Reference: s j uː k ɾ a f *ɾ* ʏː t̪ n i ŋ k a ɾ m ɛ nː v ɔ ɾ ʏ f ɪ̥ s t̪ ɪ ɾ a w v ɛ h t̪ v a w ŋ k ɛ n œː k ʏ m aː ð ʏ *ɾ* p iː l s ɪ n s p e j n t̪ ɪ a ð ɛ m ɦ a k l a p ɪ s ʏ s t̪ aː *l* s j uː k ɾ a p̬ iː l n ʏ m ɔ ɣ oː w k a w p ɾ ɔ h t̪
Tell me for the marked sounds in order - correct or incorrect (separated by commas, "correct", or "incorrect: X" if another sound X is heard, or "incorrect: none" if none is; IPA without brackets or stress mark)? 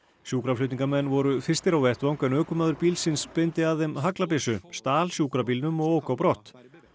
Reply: incorrect: l, correct, correct